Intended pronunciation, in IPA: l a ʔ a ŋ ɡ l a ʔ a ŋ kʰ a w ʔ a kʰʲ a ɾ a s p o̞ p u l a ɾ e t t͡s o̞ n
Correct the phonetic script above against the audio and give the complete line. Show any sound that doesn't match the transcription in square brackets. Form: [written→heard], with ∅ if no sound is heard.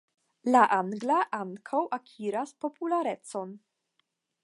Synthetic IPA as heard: l a ʔ a ŋ ɡ l a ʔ a ŋ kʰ a w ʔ a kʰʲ [a→i] ɾ a s p o̞ p u l a ɾ e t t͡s o̞ n